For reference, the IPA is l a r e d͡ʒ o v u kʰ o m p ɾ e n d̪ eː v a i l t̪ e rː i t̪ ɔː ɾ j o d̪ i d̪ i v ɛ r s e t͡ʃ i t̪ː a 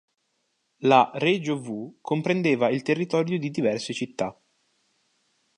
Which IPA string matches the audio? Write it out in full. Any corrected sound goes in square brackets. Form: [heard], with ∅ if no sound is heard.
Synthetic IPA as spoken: l a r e d͡ʒ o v u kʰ o m p ɾ e n d̪ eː v a i l t̪ e rː i t̪ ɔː ɾ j o d̪ i d̪ i v ɛ r s e t͡ʃ i t̪ː a